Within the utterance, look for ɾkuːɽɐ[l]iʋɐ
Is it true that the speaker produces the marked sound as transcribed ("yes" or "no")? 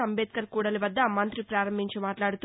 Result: yes